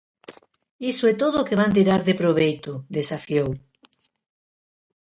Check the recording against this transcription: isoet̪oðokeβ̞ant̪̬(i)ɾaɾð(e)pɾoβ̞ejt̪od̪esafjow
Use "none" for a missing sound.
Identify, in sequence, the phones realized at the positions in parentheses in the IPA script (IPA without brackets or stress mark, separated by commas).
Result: i, e